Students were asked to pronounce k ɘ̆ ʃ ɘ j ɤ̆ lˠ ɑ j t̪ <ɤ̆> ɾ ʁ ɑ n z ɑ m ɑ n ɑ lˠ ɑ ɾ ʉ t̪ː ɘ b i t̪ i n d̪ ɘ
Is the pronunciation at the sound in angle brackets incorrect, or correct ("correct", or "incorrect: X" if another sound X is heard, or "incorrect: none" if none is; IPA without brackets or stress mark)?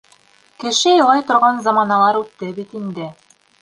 incorrect: ŏ